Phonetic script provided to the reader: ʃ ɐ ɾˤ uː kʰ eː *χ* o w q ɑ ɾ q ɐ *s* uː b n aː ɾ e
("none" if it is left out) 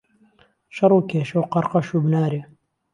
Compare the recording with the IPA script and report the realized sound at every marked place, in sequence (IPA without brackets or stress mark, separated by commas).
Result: ʃ, ʃ